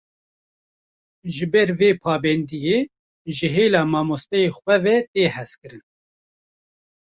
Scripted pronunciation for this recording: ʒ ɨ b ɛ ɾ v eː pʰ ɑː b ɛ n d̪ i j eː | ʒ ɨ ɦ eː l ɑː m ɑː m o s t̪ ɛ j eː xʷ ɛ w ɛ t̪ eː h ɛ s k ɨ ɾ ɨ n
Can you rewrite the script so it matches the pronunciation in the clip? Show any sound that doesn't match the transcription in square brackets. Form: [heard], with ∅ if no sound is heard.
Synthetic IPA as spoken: ʒ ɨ b ɛ ɾ v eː pʰ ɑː b ɛ n d̪ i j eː | ʒ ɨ ɦ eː l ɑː m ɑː m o s t̪ ɛ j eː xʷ ɛ [v] ɛ t̪ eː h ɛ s k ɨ ɾ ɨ n